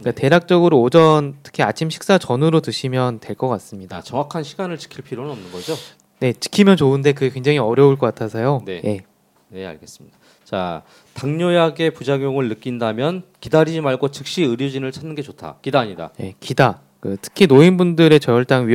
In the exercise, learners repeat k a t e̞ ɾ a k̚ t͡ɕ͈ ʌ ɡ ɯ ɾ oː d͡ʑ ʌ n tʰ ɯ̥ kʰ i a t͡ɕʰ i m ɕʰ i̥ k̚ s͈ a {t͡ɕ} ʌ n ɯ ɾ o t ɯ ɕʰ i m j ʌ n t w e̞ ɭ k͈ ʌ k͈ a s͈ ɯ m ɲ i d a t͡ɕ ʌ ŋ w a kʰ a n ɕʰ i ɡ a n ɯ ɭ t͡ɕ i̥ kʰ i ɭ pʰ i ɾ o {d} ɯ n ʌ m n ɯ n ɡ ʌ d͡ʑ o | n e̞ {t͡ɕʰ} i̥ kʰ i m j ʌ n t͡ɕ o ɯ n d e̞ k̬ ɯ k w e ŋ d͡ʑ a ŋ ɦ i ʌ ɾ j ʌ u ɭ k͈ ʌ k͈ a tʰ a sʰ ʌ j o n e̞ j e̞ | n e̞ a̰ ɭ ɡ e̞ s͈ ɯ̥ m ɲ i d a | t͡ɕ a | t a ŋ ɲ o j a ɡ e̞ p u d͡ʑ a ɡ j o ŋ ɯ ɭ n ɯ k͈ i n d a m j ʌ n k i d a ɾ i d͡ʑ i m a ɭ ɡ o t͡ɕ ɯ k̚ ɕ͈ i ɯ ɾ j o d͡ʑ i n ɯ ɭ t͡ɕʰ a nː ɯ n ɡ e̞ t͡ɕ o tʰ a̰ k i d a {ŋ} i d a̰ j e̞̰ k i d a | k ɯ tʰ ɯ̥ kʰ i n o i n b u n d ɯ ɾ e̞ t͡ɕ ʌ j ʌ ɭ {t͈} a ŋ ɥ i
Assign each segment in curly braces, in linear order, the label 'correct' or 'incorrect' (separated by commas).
correct, incorrect, incorrect, incorrect, correct